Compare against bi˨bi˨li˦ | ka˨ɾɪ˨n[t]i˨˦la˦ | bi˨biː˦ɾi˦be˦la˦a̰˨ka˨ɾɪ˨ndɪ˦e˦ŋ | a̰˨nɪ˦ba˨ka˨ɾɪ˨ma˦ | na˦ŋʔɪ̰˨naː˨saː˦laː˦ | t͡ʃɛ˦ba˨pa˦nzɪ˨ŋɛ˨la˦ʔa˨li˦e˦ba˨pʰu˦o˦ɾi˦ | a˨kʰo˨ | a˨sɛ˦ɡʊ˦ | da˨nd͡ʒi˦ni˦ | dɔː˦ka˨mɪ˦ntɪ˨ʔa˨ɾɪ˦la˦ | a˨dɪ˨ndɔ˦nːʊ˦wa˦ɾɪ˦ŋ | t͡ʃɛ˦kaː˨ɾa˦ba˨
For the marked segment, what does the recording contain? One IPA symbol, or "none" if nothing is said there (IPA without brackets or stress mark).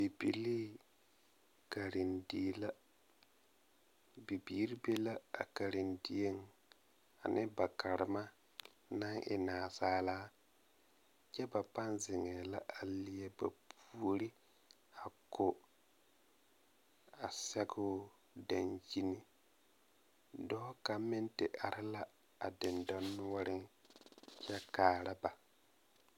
d